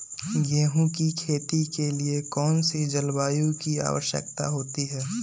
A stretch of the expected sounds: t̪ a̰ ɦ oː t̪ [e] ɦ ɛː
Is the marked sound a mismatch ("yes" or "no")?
yes